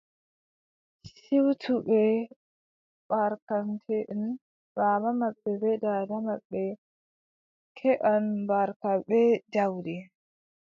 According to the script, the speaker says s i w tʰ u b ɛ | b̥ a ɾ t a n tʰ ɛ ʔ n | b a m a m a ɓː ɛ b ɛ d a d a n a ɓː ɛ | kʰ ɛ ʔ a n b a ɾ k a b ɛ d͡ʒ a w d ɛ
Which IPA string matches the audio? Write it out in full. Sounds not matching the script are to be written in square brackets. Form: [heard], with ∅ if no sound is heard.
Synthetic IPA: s i w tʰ u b ɛ | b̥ a ɾ [k] a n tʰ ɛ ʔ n | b a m a m a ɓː ɛ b ɛ d a d a [m] a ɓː ɛ | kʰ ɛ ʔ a n b a ɾ k a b ɛ d͡ʒ a w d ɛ